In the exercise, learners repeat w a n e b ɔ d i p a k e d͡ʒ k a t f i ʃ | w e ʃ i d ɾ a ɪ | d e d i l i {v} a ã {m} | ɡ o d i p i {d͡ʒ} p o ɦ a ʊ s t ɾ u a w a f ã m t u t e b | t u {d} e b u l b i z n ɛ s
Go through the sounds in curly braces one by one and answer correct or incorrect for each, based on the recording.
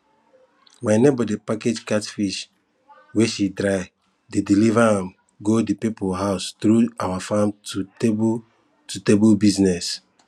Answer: correct, correct, incorrect, incorrect

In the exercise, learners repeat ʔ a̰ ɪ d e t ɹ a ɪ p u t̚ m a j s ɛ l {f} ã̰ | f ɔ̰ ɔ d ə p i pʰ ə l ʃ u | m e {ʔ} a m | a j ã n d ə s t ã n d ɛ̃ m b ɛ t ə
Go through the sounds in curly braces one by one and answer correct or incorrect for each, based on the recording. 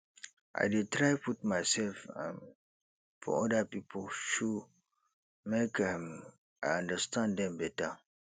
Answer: correct, incorrect

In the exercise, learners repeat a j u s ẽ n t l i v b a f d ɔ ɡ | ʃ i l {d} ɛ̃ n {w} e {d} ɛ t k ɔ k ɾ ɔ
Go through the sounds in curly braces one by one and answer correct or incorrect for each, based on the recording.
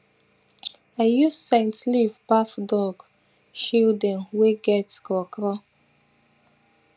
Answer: correct, correct, incorrect

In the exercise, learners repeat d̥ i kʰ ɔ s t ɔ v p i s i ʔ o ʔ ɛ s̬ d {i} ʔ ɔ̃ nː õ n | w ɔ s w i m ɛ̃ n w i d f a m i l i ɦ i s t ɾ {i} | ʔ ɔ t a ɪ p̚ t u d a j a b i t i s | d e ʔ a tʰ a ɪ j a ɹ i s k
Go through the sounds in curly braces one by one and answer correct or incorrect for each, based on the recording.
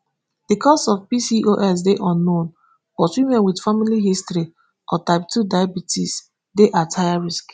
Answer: incorrect, correct

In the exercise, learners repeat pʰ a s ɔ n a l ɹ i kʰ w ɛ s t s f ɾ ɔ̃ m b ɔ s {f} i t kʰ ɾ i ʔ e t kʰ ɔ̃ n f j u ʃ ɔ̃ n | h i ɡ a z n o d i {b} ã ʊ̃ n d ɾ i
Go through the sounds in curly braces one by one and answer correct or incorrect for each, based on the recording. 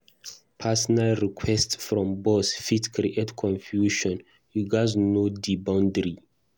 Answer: correct, correct

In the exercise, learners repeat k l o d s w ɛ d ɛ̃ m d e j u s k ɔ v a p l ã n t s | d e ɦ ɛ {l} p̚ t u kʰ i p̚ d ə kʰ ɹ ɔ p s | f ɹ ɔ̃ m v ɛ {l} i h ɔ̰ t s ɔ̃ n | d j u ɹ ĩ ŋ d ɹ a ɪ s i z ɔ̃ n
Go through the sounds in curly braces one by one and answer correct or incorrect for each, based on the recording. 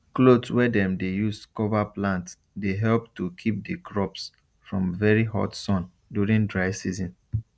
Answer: correct, incorrect

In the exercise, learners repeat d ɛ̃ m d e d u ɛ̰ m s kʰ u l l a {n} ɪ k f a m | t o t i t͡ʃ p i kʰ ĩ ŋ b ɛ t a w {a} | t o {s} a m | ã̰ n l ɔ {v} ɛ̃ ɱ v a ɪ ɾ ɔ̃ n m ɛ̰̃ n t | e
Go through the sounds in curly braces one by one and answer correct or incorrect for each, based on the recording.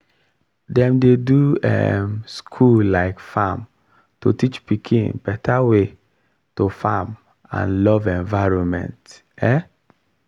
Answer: incorrect, incorrect, incorrect, correct

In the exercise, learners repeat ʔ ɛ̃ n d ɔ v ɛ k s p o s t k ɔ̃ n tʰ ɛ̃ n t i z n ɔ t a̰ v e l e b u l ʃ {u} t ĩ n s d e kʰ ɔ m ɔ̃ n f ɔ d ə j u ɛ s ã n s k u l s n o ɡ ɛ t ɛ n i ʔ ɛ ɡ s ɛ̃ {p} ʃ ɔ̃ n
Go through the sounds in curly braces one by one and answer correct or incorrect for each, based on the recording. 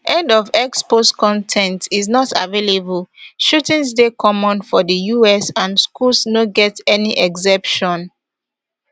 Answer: correct, correct

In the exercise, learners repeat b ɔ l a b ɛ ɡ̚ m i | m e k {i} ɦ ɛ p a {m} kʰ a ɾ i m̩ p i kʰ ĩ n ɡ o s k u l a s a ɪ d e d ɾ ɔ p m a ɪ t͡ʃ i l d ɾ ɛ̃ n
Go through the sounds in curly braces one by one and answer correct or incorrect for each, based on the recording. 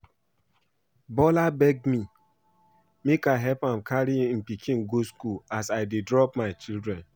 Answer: incorrect, correct

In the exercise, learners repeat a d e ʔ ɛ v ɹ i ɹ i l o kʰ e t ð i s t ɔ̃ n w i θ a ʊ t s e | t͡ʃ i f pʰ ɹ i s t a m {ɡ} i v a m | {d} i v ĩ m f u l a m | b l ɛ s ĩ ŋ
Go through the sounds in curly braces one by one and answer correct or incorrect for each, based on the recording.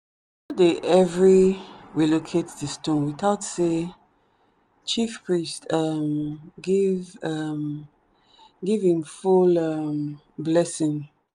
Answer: correct, incorrect

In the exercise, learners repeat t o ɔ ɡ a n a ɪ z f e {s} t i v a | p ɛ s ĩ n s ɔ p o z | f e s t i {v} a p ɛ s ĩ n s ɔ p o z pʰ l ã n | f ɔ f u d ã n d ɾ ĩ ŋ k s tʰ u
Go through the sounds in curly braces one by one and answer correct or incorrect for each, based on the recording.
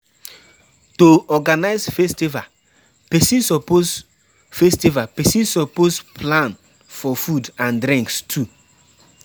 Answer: correct, correct

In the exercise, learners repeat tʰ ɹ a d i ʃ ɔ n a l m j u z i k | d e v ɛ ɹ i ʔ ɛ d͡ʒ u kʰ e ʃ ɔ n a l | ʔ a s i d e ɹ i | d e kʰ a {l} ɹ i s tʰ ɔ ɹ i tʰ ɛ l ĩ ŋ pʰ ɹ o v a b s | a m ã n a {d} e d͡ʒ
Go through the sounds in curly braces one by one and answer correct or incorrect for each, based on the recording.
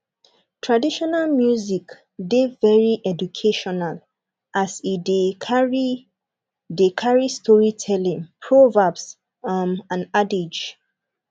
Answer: incorrect, correct

